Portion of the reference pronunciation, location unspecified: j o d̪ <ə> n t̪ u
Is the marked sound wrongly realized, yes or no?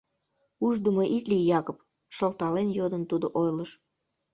no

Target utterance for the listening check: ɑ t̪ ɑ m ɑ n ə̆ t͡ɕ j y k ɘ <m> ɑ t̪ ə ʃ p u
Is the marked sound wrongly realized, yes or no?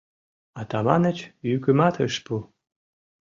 no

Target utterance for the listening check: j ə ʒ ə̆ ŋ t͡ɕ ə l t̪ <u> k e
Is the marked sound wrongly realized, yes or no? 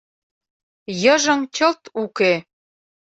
no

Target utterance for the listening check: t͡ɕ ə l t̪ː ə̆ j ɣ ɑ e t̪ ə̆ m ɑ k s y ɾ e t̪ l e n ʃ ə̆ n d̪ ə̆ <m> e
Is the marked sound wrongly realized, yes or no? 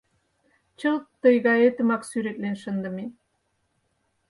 no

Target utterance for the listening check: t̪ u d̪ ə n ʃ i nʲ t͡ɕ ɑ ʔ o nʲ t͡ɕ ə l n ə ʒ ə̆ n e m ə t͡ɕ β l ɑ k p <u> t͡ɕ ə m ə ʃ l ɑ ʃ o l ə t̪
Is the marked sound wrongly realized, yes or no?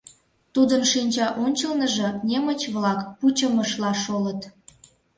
no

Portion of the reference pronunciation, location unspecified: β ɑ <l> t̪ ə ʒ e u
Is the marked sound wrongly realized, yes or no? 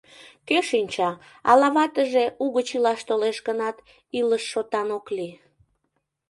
yes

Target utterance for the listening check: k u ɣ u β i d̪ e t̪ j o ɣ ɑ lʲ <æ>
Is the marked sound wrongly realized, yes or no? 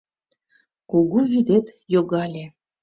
yes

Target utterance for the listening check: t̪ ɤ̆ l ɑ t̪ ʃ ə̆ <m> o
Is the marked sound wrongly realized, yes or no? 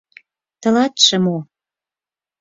no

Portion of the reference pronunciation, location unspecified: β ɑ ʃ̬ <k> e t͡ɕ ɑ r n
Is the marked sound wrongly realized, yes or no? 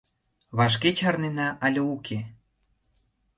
no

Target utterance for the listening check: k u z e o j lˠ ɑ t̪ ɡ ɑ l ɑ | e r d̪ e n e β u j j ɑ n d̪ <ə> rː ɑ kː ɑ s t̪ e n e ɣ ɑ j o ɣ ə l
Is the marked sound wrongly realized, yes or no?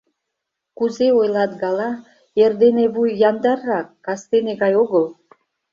yes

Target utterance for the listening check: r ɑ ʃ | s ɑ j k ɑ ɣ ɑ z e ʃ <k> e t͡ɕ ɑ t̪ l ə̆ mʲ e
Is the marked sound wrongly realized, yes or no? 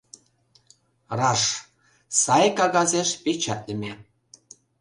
yes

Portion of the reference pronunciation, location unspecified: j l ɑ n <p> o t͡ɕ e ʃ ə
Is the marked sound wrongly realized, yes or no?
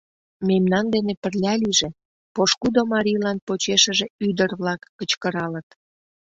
no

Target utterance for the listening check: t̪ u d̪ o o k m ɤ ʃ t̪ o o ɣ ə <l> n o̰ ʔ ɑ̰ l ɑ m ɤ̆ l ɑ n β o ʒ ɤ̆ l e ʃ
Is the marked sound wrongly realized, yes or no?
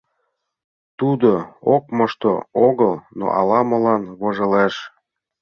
no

